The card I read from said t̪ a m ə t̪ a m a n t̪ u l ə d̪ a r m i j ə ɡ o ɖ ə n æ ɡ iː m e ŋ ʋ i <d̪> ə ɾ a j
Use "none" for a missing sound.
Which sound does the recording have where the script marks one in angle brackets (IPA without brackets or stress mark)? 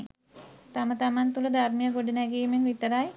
t̪